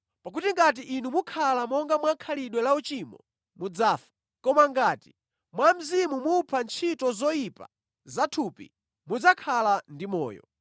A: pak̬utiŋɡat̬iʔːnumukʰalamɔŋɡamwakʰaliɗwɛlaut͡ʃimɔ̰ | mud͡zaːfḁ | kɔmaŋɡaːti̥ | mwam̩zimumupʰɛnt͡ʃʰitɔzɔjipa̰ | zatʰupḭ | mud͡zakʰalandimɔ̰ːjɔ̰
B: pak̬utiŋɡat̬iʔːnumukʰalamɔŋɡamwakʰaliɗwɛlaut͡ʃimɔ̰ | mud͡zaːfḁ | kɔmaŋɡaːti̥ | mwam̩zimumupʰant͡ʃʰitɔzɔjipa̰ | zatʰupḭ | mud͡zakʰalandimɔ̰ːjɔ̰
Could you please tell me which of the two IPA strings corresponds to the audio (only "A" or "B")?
B